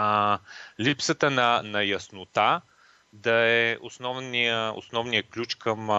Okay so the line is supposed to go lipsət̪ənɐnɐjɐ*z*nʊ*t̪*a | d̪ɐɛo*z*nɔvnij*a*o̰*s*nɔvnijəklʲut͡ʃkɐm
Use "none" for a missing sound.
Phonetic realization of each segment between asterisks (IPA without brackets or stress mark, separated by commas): s, t̪, s, ə, s